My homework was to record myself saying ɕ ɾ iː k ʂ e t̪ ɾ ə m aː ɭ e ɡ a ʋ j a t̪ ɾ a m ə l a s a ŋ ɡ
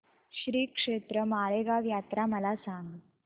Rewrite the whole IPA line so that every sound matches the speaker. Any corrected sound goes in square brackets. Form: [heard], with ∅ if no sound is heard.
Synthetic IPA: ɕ ɾ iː k ʂ e t̪ ɾ ə m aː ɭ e ɡ a ʋ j a t̪ ɾ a m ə l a s a ŋ ɡ